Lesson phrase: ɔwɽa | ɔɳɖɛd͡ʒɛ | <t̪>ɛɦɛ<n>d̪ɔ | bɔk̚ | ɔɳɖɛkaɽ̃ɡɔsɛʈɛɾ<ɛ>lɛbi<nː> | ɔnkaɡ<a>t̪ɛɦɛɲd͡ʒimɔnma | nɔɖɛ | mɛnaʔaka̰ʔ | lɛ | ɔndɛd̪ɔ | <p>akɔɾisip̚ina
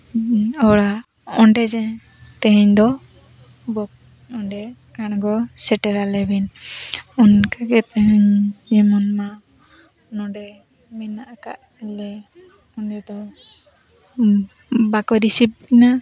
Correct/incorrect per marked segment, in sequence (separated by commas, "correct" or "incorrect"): correct, incorrect, incorrect, incorrect, incorrect, incorrect